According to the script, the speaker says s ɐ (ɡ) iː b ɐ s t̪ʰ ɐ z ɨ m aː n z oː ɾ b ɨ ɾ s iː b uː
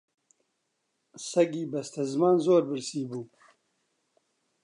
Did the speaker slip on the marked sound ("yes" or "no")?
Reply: no